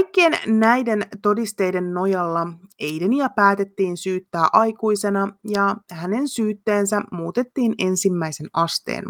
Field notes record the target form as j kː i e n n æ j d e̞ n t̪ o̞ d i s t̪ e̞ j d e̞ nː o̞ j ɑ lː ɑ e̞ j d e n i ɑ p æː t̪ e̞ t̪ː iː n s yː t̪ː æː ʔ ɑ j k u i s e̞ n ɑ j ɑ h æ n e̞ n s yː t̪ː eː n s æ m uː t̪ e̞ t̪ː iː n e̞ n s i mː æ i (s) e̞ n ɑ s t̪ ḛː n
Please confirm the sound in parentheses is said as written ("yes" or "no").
yes